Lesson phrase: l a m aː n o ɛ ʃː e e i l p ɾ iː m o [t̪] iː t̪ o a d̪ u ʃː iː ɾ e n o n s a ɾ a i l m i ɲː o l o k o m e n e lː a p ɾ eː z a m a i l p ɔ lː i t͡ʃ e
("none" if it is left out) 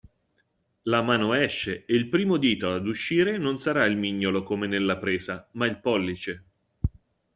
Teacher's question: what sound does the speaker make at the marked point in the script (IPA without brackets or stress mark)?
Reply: d̪